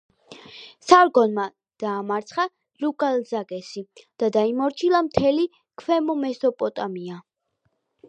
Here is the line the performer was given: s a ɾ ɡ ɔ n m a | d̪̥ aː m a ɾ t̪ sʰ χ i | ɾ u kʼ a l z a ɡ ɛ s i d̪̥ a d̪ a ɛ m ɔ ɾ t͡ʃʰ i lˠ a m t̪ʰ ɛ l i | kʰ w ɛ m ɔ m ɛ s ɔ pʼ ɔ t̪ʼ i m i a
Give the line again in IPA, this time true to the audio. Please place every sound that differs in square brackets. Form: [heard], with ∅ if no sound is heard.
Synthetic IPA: s a ɾ ɡ ɔ n m a | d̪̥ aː m a ɾ t̪ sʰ χ [a] | ɾ u kʼ a l z a ɡ ɛ s i d̪̥ a d̪ a [i] m ɔ ɾ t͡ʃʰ i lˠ a m t̪ʰ ɛ l i | kʰ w ɛ m ɔ m ɛ s ɔ pʼ ɔ t̪ʼ [a] m i a

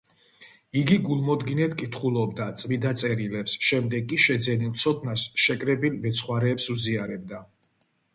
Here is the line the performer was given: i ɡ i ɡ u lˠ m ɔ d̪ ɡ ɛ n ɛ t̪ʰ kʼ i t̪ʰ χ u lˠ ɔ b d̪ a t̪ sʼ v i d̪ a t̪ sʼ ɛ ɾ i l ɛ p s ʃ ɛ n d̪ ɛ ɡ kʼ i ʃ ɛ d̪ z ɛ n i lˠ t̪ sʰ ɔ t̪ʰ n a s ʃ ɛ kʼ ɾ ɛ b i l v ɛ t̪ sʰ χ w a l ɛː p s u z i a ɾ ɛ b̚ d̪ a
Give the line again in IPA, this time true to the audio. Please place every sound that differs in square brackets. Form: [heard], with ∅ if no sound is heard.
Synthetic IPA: i ɡ i ɡ u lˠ m ɔ d̪ ɡ [i] n ɛ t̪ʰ kʼ i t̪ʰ χ u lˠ ɔ b d̪ a t̪ sʼ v i d̪ a t̪ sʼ ɛ ɾ i l ɛ p s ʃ ɛ [m] d̪ ɛ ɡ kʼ i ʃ ɛ d̪ z ɛ n i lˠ t̪ sʰ ɔ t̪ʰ n a s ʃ ɛ kʼ ɾ ɛ b i l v ɛ t̪ sʰ χ w a [ɾ] ɛː p s u z i a ɾ ɛ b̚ d̪ a

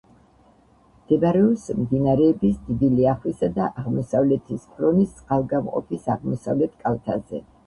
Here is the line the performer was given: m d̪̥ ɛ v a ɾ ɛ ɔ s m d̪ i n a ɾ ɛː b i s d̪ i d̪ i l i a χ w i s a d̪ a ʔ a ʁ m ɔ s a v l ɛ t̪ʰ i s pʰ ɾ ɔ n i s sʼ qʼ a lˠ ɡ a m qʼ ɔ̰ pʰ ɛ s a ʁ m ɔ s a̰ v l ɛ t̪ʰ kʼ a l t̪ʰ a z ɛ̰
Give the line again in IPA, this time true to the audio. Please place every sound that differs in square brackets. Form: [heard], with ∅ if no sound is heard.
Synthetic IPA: m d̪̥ ɛ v a ɾ ɛ ɔ s m d̪ i n a ɾ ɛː b i s d̪ i d̪ i l i a χ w i s a d̪ a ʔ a ʁ m ɔ s a v l ɛ t̪ʰ i s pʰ ɾ ɔ n i s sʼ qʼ a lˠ ɡ a m qʼ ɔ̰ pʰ [i] s a ʁ m ɔ s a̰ v l ɛ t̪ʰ kʼ a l t̪ʰ a z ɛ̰

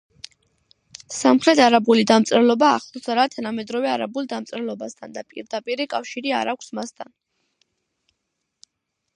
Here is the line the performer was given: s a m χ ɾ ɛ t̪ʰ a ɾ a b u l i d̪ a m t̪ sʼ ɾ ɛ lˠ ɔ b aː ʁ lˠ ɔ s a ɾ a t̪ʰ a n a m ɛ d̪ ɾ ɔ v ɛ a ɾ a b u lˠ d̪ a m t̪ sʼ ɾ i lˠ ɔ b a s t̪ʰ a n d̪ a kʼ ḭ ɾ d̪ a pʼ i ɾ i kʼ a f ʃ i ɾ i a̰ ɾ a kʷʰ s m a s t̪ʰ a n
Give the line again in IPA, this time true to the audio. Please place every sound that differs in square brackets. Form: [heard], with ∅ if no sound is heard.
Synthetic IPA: s a m χ ɾ ɛ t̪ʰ a ɾ a b u l i d̪ a m t̪ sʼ ɾ ɛ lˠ ɔ b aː [χ] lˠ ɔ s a ɾ a t̪ʰ a n a m ɛ d̪ ɾ ɔ v ɛ a ɾ a b u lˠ d̪ a m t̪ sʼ ɾ [ɛ] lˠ ɔ b a s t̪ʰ a n d̪ a [pʼ] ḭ ɾ d̪ a pʼ i ɾ i kʼ a f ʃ i ɾ i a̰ ɾ a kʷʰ s m a s t̪ʰ a n

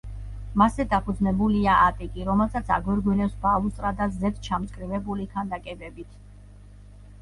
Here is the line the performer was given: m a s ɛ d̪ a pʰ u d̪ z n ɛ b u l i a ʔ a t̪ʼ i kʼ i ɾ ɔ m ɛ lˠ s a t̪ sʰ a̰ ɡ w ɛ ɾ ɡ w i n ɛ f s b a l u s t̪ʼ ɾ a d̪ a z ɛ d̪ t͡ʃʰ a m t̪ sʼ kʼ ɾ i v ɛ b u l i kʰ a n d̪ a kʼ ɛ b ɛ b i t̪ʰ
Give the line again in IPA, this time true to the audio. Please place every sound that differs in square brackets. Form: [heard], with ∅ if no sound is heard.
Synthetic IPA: m a s ɛ d̪ a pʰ u d̪ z n ɛ b u l i a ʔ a t̪ʼ i kʼ i ɾ ɔ m ɛ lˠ s a t̪ sʰ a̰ ɡ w ɛ ɾ ɡ w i n ɛ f s b a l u s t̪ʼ ɾ a d̪ a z ɛ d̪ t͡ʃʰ a m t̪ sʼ kʼ ɾ i v ɛ b u l i kʰ a n d̪ a kʼ ɛ b ɛ b i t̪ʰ

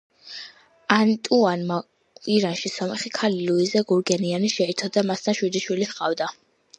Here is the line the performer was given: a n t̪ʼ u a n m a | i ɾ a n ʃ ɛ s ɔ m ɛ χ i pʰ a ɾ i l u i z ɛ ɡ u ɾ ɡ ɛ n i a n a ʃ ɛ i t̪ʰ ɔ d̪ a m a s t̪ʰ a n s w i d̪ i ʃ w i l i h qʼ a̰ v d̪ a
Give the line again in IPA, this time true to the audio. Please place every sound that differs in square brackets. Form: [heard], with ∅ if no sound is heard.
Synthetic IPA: a n t̪ʼ u a n m a | i ɾ a n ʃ [i] s ɔ m ɛ χ i [kʰ] a [l] i l u i z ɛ ɡ u ɾ ɡ ɛ n i a n [i] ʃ ɛ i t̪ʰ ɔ d̪ a m a s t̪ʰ a n [ʃ] w i d̪ i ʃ w i l i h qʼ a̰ v d̪ a

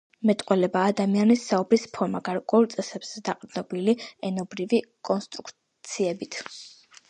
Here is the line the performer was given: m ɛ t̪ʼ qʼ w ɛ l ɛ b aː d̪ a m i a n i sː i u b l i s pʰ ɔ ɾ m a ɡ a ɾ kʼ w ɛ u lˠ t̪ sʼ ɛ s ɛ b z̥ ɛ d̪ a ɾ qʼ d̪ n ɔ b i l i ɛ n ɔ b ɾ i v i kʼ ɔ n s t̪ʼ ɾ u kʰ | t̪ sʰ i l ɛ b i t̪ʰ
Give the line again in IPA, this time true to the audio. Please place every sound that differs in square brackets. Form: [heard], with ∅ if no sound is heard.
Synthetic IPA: m ɛ t̪ʼ qʼ w ɛ l ɛ b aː d̪ a m i a n i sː [a] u b [ɾ] i s pʰ ɔ ɾ m a ɡ a ɾ kʼ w ɛ u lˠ t̪ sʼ ɛ s ɛ b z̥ ɛ d̪ a [∅] qʼ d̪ n ɔ b i l i ɛ n ɔ b ɾ i v i kʼ ɔ n s t̪ʼ ɾ u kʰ | t̪ sʰ i [∅] ɛ b i t̪ʰ

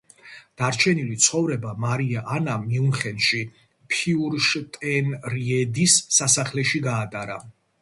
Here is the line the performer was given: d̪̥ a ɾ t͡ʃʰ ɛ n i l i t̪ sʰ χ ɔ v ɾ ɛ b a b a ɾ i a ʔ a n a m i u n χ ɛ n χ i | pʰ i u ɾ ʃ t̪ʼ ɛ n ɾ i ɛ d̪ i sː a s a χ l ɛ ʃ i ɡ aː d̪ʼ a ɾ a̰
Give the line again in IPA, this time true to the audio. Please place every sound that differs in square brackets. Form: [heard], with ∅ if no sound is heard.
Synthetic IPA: d̪̥ a ɾ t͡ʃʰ ɛ n i l i t̪ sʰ χ ɔ v ɾ ɛ b a [m] a ɾ i a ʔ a n a m i u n χ ɛ n [ʃ] i | pʰ i u ɾ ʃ t̪ʼ ɛ n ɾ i ɛ d̪ i sː a s a χ l ɛ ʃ i ɡ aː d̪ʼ a ɾ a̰

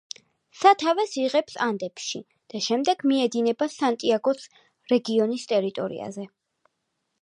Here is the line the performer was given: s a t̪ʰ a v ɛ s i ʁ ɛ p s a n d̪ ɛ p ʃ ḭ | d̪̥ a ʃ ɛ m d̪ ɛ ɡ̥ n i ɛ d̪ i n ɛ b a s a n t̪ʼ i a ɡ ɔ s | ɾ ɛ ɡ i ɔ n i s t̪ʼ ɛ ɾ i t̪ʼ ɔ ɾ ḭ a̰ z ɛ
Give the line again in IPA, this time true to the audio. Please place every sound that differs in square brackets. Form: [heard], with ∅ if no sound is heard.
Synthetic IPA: s a t̪ʰ a v ɛ s i ʁ ɛ p s a n d̪ ɛ p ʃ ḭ | d̪̥ a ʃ ɛ m d̪ ɛ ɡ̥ [m] i ɛ d̪ i n ɛ b a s a n t̪ʼ i a ɡ ɔ s | ɾ ɛ ɡ i ɔ n i s t̪ʼ ɛ ɾ i t̪ʼ ɔ ɾ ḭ a̰ z ɛ

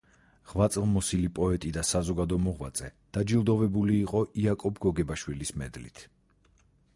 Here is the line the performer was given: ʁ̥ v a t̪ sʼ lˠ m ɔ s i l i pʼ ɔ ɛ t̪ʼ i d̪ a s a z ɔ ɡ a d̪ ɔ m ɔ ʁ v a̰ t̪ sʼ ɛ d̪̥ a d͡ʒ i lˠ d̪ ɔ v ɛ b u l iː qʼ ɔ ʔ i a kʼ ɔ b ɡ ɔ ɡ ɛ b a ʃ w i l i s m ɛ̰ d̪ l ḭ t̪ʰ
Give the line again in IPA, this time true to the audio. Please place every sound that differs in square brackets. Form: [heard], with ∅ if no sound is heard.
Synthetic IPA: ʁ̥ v a t̪ sʼ lˠ m ɔ s i l i pʼ ɔ ɛ t̪ʼ i d̪ a s a z ɔ ɡ a d̪ ɔ m ɔ ʁ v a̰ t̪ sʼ ɛ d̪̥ a d͡ʒ i lˠ d̪ ɔ v ɛ b u l iː qʼ ɔ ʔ i a kʼ ɔ b ɡ ɔ ɡ ɛ b a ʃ w i l i s m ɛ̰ d̪ l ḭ t̪ʰ

